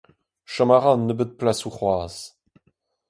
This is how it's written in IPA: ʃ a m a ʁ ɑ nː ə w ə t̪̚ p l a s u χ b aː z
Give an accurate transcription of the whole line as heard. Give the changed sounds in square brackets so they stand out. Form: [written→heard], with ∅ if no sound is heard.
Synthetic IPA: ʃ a m a ʁ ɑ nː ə [w→b] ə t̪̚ p l a s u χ [b→w] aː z